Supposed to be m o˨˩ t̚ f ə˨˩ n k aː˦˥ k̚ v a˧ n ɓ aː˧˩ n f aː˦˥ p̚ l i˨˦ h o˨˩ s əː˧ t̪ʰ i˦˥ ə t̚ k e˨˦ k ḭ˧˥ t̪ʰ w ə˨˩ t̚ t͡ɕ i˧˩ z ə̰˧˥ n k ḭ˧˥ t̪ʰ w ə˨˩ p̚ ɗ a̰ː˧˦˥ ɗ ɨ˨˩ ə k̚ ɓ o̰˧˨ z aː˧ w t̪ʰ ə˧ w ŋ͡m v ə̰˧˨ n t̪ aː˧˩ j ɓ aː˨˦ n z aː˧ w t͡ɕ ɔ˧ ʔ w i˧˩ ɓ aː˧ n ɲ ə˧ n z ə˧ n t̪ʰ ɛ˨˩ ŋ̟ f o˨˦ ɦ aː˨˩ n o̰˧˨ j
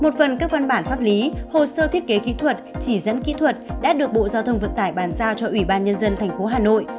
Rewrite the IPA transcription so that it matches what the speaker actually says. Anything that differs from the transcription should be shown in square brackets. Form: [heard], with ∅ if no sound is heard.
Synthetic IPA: m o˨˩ t̚ f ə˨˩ n k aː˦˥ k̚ v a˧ n ɓ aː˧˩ n f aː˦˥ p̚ l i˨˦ h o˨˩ s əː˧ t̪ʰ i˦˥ ə t̚ k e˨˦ k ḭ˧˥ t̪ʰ w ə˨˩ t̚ t͡ɕ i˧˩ z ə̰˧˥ n k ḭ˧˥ t̪ʰ w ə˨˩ [t̚] ɗ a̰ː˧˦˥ ɗ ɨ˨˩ ə k̚ ɓ o̰˧˨ z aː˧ w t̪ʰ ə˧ w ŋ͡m v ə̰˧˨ n t̪ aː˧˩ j ɓ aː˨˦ n z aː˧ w t͡ɕ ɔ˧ ʔ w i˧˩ ɓ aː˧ n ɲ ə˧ n z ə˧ n t̪ʰ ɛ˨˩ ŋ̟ f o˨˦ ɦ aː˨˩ n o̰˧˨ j